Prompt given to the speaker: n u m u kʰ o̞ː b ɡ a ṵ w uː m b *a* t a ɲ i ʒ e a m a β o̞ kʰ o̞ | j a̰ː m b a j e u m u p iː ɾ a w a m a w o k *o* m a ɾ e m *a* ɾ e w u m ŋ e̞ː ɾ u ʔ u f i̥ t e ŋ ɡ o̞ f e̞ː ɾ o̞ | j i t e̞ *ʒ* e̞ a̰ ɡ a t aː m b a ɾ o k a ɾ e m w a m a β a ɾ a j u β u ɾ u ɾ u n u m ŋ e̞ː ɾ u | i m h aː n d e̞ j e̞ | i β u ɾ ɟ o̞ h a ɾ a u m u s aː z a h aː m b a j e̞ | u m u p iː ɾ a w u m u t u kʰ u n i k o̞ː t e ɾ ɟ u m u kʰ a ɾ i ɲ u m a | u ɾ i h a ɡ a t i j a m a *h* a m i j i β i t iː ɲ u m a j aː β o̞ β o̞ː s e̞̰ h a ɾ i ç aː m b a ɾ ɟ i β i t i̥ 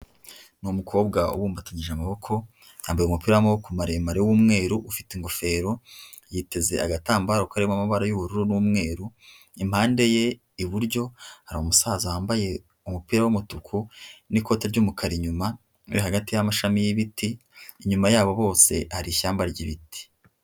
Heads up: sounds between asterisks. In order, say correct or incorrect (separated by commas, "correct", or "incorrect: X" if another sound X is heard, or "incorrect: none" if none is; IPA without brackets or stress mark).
correct, incorrect: u, correct, incorrect: z, incorrect: ʃ